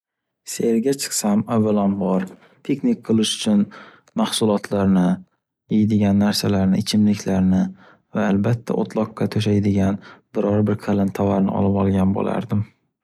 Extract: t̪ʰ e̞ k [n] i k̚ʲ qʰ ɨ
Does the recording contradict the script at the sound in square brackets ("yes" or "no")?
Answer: no